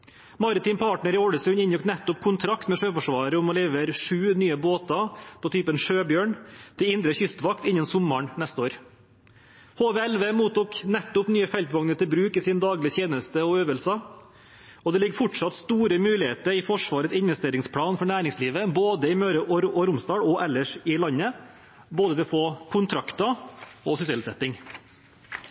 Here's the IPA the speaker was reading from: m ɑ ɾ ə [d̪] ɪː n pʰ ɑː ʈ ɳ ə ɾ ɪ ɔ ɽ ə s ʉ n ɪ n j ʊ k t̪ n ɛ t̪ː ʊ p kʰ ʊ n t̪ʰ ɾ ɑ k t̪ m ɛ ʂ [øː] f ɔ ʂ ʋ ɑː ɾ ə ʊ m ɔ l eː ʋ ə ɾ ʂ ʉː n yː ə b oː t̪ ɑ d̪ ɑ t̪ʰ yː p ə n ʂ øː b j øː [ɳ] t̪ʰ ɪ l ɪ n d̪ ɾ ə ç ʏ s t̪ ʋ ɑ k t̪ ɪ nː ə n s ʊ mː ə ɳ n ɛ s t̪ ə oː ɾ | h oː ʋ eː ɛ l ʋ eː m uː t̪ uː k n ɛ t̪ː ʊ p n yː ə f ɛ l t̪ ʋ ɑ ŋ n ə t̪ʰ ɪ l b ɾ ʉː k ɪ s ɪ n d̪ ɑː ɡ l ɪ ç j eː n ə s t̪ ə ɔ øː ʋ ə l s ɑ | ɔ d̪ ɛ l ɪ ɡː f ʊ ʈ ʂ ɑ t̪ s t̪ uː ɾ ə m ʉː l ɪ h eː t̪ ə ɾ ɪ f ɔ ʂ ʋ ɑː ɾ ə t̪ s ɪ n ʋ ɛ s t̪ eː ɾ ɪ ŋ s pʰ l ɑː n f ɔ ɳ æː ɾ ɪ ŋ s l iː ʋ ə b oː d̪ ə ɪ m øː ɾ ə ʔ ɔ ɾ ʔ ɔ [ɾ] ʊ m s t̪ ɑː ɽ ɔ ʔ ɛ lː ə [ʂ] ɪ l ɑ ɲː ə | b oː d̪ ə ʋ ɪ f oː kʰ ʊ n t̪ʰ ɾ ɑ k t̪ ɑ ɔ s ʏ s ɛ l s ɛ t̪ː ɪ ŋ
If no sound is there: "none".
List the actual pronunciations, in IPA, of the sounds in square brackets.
t̪, øː, ɳ, ɾ, ʂ

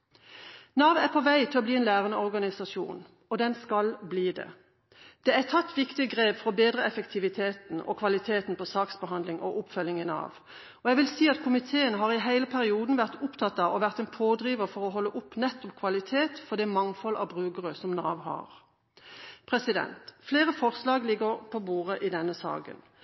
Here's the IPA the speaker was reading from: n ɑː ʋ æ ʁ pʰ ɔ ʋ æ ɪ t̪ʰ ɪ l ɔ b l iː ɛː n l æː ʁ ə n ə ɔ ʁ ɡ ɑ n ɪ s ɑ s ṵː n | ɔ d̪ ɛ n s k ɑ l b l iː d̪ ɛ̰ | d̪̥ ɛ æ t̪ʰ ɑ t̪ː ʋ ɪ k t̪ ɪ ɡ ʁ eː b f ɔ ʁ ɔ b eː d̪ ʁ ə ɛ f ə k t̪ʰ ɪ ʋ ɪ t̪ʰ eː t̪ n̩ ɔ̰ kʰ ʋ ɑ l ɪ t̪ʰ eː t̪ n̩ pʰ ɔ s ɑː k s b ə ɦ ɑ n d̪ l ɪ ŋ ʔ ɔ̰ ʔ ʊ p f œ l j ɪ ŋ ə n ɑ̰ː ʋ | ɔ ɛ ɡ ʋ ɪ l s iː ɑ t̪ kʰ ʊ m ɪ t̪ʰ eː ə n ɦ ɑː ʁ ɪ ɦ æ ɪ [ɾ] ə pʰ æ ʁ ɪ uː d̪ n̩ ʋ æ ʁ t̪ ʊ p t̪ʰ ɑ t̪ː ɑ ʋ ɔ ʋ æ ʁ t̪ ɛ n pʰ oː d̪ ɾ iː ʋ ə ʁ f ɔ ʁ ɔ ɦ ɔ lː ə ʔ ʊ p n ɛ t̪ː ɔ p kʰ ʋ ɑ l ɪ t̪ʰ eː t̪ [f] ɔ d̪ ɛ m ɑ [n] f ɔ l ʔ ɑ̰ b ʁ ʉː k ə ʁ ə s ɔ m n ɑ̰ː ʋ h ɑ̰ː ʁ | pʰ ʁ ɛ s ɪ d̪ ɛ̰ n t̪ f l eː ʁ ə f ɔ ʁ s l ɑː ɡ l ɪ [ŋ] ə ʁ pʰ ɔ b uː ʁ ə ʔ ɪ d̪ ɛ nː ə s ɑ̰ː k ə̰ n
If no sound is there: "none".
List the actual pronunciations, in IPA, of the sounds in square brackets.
l, f, ŋ, ɡ

